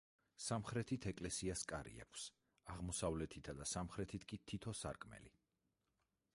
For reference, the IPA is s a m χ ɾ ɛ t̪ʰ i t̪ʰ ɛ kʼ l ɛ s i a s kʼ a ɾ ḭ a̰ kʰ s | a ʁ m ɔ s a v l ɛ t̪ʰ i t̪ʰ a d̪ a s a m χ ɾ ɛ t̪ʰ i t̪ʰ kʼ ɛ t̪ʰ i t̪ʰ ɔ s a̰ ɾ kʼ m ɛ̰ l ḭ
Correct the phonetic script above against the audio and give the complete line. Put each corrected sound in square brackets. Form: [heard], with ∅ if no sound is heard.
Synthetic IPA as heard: s a m χ ɾ ɛ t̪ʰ i t̪ʰ ɛ kʼ l ɛ s i a s kʼ a ɾ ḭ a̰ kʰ s | a ʁ m ɔ s a v l ɛ t̪ʰ i t̪ʰ a d̪ a s a m χ ɾ ɛ t̪ʰ i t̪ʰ kʼ [i] t̪ʰ i t̪ʰ ɔ s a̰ ɾ kʼ m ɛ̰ l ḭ